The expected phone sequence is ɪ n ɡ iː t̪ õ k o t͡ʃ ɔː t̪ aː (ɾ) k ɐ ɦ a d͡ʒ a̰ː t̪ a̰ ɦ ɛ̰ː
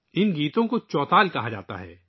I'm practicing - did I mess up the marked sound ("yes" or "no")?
yes